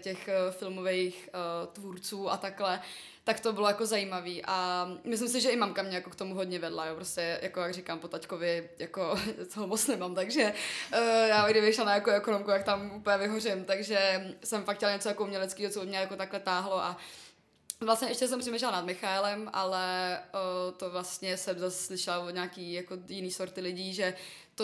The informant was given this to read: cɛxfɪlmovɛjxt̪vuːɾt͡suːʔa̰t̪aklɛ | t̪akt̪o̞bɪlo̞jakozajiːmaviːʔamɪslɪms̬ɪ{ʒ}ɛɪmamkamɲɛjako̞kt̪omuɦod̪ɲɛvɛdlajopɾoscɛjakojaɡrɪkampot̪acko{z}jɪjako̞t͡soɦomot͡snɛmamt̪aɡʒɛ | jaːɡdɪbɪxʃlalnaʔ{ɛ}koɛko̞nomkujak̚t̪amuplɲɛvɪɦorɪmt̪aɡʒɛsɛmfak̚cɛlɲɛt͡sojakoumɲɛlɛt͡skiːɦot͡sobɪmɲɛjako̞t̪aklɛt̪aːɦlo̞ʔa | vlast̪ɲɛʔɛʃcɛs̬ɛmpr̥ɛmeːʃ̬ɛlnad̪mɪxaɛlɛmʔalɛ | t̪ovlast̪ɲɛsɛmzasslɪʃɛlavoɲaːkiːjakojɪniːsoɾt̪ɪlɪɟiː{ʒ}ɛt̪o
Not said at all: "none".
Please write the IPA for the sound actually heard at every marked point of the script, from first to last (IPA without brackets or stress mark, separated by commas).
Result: ʒ, v, ɛ, ʒ